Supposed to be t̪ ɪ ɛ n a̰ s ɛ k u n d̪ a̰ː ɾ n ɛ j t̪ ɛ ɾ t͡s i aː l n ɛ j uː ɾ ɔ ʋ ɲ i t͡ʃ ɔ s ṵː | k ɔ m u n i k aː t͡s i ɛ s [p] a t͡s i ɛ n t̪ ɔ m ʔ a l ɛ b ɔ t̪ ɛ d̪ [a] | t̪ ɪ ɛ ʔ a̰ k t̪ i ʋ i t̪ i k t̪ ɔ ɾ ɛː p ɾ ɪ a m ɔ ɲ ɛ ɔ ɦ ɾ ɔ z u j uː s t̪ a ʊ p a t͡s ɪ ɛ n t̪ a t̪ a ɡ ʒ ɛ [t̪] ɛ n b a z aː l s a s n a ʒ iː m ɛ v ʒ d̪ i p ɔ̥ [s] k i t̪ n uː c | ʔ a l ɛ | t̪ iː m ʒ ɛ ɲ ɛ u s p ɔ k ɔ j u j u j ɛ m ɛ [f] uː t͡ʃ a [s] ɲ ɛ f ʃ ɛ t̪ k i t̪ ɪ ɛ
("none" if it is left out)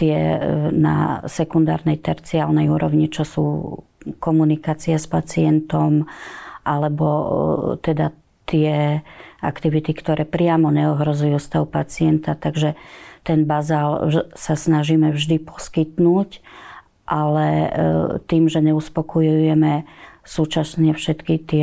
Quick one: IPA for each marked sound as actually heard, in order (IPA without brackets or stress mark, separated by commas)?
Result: p, a, t̪, s, s, s